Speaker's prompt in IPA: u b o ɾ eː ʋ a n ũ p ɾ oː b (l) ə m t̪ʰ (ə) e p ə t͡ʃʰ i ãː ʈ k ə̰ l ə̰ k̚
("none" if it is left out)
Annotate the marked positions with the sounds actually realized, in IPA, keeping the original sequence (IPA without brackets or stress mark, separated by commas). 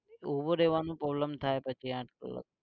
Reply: l, a